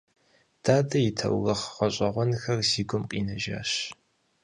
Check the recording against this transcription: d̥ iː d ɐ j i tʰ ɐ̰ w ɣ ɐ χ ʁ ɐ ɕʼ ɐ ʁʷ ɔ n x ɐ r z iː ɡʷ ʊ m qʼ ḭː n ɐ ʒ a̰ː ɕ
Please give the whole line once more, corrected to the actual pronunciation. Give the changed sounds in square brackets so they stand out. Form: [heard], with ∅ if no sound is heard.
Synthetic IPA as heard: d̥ [aː] d ɐ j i tʰ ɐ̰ w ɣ ɐ χ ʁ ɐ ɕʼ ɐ ʁʷ ɔ n x ɐ r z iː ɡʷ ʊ m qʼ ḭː n ɐ ʒ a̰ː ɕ